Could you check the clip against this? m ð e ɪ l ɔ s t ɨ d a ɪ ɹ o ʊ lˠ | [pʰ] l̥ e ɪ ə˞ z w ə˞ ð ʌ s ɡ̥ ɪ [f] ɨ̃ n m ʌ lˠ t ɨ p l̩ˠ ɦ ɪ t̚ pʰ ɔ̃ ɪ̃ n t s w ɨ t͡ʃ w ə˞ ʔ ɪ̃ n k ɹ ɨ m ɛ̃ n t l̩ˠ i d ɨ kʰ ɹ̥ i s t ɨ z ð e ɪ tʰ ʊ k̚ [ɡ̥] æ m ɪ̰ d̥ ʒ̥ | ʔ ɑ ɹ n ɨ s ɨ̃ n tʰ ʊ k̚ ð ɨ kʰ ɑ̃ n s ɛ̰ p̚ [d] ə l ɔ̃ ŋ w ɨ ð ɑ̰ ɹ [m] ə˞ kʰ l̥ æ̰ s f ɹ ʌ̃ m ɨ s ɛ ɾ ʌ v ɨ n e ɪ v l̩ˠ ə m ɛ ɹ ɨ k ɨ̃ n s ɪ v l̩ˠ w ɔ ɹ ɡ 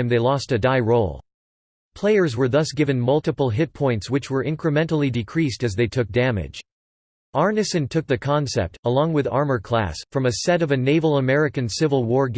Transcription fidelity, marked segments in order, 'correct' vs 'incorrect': correct, incorrect: v, incorrect: d̥, incorrect: t, correct

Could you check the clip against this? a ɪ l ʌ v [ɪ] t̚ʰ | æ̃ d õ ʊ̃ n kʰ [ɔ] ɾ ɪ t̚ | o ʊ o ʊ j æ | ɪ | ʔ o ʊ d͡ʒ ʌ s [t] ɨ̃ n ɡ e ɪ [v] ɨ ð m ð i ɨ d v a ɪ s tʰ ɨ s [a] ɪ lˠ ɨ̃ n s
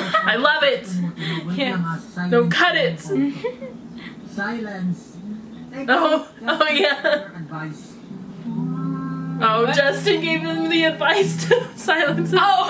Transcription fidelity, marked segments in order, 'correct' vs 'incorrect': correct, incorrect: ʌ, correct, correct, correct

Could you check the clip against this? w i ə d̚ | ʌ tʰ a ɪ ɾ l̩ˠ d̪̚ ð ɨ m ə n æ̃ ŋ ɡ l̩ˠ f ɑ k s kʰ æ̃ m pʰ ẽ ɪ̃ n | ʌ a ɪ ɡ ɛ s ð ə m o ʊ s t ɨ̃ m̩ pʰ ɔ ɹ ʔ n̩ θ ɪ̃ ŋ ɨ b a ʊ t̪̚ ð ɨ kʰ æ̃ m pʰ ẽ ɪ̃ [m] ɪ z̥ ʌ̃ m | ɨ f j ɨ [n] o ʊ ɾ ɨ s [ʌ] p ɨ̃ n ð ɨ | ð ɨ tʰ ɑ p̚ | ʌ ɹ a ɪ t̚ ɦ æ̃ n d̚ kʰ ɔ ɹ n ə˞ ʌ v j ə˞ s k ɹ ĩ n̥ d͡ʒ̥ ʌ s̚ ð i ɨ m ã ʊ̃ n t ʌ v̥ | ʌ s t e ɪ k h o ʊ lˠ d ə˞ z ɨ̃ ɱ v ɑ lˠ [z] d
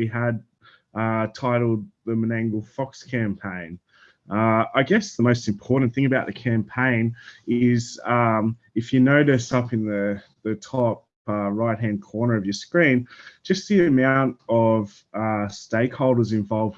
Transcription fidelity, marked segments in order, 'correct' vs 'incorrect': incorrect: n, correct, correct, incorrect: v

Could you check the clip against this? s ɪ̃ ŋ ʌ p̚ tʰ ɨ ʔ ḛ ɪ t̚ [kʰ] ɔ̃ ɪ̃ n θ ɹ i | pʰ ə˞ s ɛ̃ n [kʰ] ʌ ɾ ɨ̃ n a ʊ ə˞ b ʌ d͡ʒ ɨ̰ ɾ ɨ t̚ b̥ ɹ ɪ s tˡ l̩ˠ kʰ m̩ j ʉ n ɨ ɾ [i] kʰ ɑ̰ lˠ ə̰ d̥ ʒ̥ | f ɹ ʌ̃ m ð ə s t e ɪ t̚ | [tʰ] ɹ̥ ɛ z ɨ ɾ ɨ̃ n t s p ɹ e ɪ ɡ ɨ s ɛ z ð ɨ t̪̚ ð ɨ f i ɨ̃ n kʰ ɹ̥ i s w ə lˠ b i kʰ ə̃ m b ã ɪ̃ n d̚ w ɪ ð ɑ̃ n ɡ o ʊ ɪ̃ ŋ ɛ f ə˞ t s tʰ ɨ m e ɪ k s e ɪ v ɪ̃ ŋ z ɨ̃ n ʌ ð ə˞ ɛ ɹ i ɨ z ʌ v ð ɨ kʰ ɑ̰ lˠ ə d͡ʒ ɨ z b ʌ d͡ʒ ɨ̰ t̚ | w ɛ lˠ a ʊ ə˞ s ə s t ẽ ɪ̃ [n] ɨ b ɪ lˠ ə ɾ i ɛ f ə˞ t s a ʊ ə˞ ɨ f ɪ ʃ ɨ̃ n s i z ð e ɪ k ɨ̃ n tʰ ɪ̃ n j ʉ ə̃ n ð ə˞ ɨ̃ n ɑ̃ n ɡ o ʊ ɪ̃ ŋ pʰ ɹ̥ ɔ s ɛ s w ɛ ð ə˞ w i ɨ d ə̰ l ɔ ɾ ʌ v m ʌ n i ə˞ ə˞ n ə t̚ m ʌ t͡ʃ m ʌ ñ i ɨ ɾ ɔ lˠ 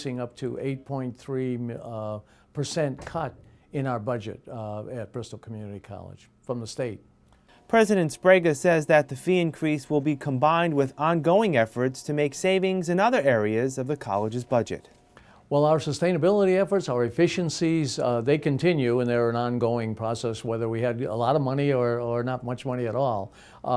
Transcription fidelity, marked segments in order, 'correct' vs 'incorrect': incorrect: pʰ, correct, correct, incorrect: pʰ, correct

